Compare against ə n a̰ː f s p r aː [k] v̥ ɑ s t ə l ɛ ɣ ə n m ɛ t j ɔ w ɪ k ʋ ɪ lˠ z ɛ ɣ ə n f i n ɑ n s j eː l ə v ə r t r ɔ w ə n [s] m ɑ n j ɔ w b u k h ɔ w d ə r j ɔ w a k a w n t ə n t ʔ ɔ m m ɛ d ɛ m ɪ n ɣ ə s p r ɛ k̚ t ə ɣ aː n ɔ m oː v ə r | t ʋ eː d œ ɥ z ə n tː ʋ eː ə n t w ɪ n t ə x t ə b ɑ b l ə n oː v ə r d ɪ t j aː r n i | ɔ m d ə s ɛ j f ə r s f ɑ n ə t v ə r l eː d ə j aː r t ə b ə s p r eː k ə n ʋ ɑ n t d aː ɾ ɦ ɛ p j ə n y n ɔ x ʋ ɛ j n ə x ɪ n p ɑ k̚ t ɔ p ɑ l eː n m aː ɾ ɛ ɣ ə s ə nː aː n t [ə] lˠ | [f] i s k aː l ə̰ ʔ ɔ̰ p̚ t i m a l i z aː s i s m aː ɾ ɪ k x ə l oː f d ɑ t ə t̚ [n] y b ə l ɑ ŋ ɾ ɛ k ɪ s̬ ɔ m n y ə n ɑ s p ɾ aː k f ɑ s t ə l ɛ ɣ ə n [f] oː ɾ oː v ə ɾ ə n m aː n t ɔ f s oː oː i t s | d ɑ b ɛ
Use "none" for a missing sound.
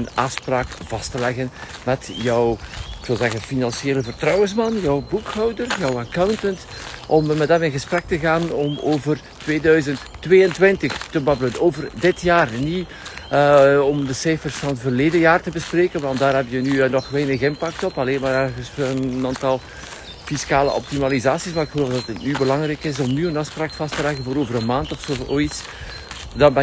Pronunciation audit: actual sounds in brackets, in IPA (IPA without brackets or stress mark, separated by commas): k, s, ɑ, f, n, v